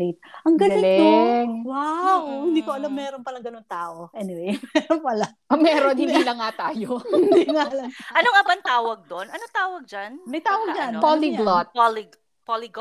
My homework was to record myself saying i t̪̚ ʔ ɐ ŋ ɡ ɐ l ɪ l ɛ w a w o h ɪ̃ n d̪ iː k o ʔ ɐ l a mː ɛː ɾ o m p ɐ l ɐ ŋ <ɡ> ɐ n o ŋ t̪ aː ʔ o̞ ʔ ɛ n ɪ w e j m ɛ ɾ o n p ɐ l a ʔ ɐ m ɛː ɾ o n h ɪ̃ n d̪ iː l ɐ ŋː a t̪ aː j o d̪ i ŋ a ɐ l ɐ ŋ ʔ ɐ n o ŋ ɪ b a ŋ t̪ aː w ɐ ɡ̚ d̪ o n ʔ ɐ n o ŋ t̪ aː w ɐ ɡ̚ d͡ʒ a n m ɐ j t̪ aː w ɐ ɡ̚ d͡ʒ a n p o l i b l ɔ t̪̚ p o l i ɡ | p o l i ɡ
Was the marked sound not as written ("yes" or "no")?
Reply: no